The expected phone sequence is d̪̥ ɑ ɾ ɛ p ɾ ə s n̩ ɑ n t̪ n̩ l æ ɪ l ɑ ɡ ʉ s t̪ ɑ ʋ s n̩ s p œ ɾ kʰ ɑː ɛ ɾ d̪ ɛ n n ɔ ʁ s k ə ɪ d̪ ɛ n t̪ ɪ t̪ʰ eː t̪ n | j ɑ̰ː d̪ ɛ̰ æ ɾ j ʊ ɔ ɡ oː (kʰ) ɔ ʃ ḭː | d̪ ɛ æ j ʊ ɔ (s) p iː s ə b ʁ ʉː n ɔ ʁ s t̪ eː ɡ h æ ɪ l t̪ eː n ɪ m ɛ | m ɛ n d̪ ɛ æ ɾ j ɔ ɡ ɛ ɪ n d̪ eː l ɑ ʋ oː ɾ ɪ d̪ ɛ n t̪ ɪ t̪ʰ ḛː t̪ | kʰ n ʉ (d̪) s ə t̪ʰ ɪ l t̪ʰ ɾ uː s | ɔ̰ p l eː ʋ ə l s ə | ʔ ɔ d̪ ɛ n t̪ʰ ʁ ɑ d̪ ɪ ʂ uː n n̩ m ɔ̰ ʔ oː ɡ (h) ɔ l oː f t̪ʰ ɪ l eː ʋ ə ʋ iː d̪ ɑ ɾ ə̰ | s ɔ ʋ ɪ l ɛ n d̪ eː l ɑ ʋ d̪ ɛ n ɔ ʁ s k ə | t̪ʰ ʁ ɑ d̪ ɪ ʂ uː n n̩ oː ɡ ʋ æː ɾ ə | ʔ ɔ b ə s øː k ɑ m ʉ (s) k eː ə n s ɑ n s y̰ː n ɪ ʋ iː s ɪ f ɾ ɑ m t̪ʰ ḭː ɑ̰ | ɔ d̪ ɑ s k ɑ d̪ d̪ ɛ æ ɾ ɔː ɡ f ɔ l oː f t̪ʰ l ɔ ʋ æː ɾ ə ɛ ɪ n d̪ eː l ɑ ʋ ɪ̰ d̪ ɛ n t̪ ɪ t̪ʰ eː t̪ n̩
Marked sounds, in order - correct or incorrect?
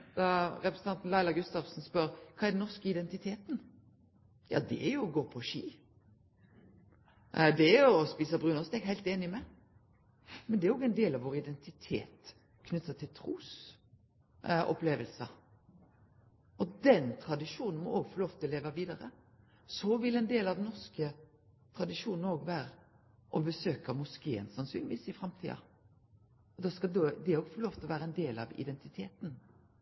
incorrect, correct, incorrect, incorrect, correct

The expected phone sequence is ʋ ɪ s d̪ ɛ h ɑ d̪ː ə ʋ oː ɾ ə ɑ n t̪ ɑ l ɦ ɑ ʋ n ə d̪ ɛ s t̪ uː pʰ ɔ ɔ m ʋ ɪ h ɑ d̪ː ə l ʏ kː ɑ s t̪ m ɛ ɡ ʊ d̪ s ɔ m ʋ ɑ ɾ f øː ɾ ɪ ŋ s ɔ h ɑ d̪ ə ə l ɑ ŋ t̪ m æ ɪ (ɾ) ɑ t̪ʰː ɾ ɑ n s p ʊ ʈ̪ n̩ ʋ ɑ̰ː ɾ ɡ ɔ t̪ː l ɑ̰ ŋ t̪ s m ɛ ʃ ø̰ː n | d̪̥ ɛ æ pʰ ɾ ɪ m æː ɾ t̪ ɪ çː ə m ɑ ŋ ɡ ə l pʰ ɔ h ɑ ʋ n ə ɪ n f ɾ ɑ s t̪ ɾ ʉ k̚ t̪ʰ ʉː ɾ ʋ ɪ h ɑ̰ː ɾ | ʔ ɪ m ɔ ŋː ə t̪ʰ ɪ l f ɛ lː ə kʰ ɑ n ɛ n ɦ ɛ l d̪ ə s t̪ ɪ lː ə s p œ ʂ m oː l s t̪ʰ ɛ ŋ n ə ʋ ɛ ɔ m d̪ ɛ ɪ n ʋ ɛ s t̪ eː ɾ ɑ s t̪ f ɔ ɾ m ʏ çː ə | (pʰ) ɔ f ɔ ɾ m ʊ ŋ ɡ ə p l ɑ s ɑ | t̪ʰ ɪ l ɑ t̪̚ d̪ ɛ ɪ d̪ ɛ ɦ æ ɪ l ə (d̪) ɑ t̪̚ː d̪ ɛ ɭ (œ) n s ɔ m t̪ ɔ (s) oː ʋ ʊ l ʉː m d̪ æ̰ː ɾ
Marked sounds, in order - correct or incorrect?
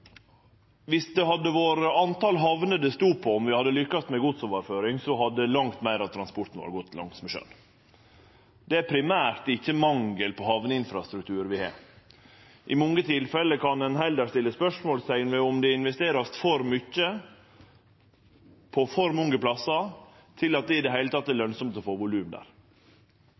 correct, correct, incorrect, correct, incorrect

